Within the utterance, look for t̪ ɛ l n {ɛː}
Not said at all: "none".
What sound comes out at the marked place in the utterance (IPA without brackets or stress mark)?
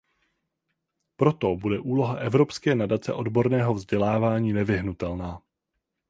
aː